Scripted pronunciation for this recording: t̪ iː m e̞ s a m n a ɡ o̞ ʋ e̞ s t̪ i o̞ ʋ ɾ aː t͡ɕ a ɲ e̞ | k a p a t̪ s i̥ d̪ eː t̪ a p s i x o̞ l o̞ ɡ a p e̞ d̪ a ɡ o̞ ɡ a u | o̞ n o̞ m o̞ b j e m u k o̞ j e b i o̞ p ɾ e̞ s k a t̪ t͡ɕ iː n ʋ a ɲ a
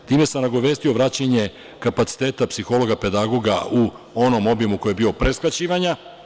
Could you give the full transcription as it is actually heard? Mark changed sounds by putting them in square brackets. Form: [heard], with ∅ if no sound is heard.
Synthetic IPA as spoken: t̪ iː m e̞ s a m n a ɡ o̞ ʋ e̞ s t̪ i o̞ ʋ ɾ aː t͡ɕ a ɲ e̞ | k a p a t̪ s i̥ [t̪] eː t̪ a p s i x o̞ l o̞ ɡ a p e̞ d̪ a ɡ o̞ ɡ a u | o̞ n o̞ m o̞ b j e m u k o̞ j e b i o̞ p ɾ e̞ s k a [∅] t͡ɕ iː [∅] ʋ a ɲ a